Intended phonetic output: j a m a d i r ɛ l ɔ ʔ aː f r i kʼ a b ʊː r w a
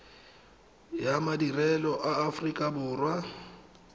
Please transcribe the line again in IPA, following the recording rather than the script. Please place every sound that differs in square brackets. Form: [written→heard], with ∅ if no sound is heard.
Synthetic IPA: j a m a d i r ɛ l ɔ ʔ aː f r i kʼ a b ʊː r w a